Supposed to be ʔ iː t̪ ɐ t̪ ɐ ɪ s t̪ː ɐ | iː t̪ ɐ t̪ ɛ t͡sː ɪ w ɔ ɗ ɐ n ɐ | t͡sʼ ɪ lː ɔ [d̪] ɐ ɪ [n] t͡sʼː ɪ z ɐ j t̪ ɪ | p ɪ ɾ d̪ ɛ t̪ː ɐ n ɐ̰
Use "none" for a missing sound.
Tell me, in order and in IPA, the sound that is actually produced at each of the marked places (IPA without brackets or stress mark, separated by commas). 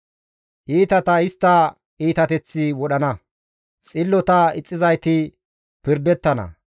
t̪, none